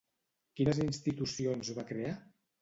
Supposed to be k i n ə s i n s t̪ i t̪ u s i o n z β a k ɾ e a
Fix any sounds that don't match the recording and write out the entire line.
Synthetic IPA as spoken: k i n ə z i n s t̪ i t̪ u s i o n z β a k ɾ e a